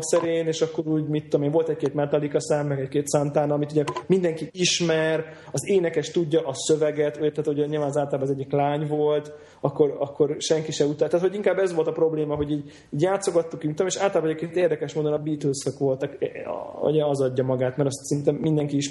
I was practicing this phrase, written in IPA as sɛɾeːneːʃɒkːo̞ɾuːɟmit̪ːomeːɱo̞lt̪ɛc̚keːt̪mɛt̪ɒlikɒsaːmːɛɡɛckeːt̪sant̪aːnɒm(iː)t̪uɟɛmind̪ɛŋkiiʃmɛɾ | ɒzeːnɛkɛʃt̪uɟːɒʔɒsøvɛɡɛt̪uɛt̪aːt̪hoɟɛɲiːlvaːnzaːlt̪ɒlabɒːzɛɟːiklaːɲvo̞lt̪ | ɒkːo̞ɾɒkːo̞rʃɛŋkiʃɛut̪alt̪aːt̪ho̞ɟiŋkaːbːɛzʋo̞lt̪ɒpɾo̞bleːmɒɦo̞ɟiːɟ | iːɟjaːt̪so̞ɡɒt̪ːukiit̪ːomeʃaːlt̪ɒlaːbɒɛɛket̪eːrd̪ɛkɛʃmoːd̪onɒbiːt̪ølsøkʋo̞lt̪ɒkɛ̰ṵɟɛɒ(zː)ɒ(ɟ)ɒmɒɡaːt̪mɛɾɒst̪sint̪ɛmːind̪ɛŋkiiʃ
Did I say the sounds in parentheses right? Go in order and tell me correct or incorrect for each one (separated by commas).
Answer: incorrect, incorrect, incorrect